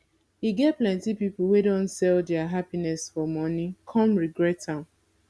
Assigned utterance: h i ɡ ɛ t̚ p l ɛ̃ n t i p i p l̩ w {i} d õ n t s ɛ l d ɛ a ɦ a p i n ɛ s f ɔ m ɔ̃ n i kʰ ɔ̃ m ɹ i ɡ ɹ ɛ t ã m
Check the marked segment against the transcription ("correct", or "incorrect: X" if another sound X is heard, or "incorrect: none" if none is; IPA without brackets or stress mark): incorrect: e